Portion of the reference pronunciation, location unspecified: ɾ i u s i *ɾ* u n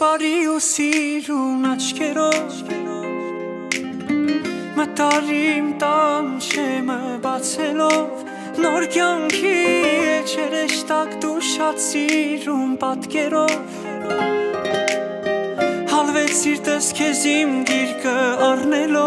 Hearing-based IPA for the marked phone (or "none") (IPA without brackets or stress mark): ɾ